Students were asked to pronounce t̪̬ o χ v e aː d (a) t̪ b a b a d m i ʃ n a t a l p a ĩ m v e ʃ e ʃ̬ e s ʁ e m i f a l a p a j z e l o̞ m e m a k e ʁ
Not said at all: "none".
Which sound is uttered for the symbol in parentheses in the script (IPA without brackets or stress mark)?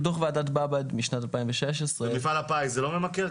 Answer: a